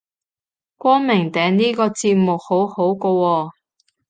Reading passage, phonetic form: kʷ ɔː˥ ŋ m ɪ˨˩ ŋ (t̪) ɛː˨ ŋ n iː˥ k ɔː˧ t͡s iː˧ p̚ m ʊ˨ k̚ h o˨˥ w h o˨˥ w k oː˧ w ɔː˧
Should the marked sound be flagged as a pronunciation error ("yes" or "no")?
no